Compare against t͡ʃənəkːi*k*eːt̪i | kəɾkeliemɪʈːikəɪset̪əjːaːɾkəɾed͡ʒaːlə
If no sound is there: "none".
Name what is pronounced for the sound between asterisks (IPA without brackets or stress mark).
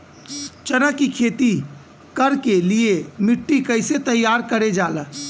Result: kʰ